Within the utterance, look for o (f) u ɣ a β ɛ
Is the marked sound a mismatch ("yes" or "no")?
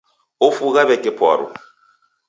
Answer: no